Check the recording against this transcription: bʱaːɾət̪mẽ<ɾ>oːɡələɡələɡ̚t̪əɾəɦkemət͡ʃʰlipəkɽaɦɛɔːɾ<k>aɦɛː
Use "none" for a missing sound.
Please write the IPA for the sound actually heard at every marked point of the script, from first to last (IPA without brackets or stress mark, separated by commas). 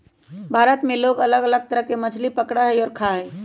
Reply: l, kʰ